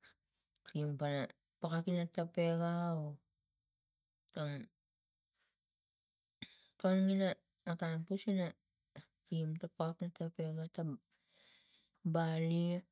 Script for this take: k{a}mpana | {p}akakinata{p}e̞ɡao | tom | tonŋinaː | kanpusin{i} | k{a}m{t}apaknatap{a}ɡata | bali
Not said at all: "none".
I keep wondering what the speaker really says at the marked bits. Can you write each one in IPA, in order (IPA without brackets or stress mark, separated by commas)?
i, p, p, a, i, t, e